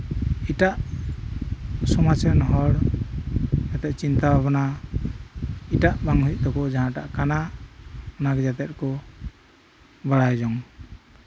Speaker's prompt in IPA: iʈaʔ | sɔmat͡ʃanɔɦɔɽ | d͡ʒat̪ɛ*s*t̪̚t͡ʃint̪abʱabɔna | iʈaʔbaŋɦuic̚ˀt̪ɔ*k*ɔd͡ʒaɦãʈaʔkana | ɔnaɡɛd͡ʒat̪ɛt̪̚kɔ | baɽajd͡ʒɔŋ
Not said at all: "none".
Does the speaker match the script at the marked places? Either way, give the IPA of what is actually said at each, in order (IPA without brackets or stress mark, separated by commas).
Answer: none, k